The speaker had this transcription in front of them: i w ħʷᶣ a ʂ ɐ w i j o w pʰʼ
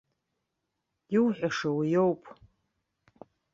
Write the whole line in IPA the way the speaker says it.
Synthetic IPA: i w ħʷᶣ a ʂ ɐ w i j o w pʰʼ